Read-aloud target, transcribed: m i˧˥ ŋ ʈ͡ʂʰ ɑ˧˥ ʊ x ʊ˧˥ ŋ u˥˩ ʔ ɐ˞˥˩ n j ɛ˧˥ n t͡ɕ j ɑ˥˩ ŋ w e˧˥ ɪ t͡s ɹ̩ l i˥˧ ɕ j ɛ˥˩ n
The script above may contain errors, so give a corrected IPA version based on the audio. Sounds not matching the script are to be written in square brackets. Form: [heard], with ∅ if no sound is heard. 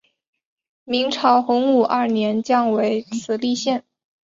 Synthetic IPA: m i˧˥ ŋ ʈ͡ʂʰ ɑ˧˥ ʊ x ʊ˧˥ ŋ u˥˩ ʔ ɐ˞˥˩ n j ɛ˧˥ n t͡ɕ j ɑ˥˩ ŋ w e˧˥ ɪ [t͡sʰ] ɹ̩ l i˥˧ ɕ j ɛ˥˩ n